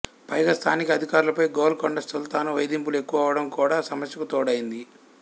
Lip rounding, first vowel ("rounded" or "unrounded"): unrounded